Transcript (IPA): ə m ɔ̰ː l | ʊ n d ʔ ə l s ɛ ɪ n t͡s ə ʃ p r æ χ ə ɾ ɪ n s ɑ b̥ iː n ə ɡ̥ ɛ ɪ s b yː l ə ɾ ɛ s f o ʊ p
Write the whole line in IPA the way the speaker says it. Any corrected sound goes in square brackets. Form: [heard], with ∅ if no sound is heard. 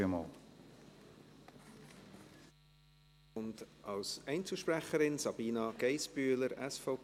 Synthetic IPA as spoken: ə m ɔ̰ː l | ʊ n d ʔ [ɑ] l s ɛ ɪ n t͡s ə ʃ p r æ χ ə ɾ ɪ n s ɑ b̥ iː n [ɑ] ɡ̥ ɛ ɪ s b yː l ə ɾ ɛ s f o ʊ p